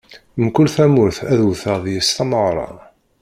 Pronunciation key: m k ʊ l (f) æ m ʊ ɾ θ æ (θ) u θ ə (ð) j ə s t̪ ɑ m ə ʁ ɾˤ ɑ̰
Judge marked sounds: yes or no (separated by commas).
no, no, yes